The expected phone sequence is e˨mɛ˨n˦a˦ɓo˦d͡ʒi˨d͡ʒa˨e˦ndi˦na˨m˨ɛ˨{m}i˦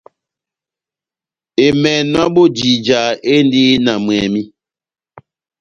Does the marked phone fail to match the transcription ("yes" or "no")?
no